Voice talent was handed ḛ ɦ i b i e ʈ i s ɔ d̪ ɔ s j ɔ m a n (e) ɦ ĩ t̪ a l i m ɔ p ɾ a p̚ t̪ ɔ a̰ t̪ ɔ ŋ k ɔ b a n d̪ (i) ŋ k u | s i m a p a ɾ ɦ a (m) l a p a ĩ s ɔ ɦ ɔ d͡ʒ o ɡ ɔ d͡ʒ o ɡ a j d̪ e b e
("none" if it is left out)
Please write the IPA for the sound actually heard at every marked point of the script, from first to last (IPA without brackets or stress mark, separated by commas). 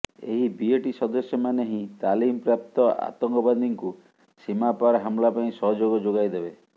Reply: e, i, m